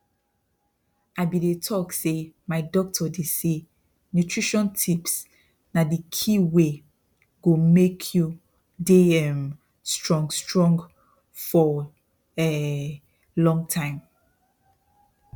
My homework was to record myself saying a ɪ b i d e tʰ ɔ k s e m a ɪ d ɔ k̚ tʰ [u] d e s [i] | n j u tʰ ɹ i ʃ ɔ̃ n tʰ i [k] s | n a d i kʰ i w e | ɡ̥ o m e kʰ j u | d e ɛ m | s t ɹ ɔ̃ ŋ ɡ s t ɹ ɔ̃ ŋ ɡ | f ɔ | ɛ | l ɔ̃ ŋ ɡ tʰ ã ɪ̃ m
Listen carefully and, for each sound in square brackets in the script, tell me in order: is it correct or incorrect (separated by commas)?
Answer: incorrect, incorrect, incorrect